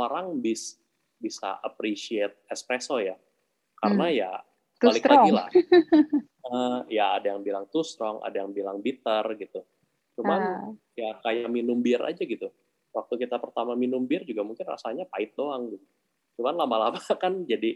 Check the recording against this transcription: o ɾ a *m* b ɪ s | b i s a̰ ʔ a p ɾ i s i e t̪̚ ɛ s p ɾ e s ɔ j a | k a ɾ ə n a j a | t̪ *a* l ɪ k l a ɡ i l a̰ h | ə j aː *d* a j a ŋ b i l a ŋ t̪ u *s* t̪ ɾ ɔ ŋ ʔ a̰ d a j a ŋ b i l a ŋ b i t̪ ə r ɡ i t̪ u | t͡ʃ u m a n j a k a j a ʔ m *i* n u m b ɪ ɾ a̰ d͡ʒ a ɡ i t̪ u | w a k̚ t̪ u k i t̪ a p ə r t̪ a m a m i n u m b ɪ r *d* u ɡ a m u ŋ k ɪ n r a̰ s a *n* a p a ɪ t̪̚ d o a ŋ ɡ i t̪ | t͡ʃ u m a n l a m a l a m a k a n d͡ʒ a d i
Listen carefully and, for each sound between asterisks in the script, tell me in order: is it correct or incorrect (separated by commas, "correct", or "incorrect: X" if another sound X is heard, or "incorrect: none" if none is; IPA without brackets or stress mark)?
incorrect: ŋ, correct, correct, correct, correct, incorrect: d͡ʒ, incorrect: ɲ